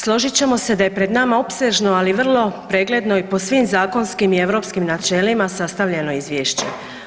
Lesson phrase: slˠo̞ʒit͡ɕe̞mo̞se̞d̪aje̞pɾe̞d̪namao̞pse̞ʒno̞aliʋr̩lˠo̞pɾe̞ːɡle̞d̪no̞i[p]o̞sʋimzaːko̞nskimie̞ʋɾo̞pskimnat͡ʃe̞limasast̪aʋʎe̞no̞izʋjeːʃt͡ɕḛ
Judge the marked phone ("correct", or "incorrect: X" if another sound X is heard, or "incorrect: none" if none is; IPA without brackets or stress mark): correct